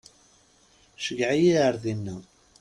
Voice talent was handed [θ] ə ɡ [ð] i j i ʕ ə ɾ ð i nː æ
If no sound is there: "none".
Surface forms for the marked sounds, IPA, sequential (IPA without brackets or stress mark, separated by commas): ʃ, ʕ